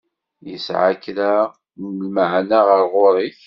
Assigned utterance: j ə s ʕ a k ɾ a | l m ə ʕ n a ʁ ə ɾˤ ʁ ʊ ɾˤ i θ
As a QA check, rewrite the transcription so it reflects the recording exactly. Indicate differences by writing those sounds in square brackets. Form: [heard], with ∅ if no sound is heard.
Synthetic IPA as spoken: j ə s ʕ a k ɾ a | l m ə ʕ n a ʁ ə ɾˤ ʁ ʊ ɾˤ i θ